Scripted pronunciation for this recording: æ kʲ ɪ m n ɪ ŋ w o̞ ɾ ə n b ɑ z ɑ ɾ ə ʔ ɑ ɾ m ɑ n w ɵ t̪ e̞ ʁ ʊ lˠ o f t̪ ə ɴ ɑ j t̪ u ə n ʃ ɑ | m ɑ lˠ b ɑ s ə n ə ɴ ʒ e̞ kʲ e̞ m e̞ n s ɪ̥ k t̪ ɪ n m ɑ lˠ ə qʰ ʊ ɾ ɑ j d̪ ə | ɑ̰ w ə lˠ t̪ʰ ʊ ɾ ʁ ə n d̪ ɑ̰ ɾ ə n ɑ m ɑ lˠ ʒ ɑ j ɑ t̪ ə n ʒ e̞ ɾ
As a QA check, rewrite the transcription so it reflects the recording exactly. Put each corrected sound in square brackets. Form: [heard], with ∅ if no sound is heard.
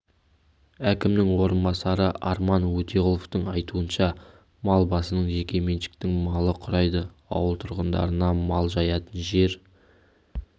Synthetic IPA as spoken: æ kʲ ɪ m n ɪ ŋ w o̞ ɾ ə n b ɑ [s] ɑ ɾ ə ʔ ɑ ɾ m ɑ n w ɵ t̪ e̞ ʁ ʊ lˠ o f t̪ ə ɴ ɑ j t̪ u ə n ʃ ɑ | m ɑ lˠ b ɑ s ə n ə ɴ ʒ e̞ kʲ e̞ m e̞ n [ʃ] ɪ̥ k t̪ ɪ [ŋ] m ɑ lˠ ə qʰ ʊ ɾ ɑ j d̪ ə | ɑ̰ w ə lˠ t̪ʰ ʊ ɾ ʁ ə n d̪ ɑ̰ ɾ ə n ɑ m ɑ lˠ ʒ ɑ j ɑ t̪ ə n ʒ e̞ ɾ